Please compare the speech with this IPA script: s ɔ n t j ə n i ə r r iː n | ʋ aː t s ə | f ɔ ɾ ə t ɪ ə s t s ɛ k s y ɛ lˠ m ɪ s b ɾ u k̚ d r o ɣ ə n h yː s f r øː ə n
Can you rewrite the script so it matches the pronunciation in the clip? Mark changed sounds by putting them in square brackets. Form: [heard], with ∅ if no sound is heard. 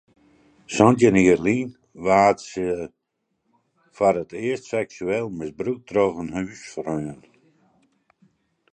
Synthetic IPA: s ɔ n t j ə n i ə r [l] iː n | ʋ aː t s ə | f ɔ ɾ ə t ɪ ə s t s ɛ k s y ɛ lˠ m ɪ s b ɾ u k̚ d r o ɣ ə n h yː s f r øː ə n